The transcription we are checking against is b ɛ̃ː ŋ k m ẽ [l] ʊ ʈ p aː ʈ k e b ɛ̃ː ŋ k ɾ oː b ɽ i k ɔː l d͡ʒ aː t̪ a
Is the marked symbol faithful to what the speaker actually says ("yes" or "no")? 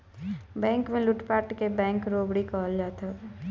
yes